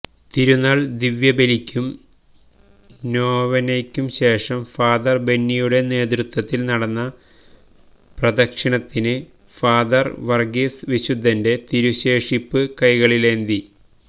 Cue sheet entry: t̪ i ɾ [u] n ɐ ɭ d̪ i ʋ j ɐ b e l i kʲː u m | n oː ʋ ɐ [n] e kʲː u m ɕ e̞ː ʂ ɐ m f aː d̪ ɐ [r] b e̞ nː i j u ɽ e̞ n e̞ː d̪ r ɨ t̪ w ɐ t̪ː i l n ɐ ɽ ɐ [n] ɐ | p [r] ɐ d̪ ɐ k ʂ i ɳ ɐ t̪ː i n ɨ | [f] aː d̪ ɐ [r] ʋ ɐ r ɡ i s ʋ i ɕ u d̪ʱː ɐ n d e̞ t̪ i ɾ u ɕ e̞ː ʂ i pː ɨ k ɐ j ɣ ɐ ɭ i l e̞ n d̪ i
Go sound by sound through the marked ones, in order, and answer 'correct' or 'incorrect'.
correct, correct, correct, incorrect: nː, correct, correct, correct

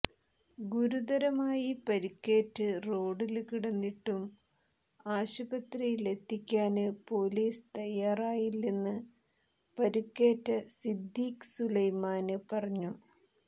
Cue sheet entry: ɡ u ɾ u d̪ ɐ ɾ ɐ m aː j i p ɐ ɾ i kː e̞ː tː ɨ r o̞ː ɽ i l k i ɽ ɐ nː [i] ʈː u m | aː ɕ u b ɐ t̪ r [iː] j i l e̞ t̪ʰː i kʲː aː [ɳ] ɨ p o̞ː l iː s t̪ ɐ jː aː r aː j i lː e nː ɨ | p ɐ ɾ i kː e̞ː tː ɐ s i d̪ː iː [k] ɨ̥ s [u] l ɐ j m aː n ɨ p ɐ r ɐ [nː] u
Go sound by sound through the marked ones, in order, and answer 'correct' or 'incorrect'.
correct, incorrect: i, incorrect: n, correct, correct, incorrect: ɲː

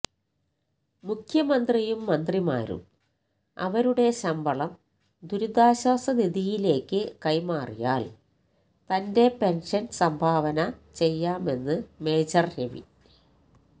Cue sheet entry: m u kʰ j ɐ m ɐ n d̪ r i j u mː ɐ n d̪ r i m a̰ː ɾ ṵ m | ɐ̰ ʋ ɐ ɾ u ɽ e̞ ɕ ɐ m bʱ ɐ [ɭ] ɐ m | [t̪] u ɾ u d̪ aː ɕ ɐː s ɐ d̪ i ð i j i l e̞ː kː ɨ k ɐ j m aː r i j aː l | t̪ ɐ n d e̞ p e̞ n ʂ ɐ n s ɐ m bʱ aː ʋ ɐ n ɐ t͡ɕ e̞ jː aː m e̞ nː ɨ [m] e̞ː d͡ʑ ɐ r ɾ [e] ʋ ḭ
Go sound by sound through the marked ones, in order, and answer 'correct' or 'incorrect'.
correct, incorrect: d̪, correct, correct

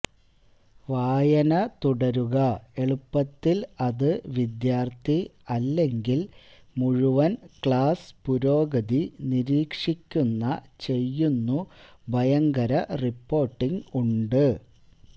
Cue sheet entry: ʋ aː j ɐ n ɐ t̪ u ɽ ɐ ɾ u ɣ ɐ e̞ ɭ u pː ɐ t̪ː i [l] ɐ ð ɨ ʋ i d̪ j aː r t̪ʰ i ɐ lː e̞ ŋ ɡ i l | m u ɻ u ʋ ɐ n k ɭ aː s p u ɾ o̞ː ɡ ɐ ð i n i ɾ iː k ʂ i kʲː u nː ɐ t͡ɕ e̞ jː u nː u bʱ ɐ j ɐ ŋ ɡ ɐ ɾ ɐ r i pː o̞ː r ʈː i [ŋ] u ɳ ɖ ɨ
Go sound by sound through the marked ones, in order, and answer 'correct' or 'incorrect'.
correct, correct

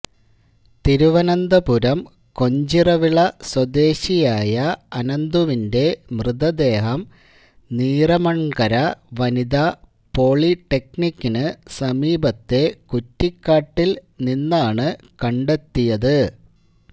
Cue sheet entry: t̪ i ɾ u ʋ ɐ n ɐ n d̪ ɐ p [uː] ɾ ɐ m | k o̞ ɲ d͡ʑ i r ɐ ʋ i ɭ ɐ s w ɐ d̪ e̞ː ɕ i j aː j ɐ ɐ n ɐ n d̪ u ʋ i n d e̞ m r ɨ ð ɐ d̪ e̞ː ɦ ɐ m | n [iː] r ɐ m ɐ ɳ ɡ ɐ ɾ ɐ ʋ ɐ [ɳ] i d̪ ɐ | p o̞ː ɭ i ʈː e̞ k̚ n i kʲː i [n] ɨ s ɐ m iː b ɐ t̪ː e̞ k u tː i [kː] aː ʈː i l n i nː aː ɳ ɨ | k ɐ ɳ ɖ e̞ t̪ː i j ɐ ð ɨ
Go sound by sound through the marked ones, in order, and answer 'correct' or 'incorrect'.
incorrect: u, correct, incorrect: n, correct, correct

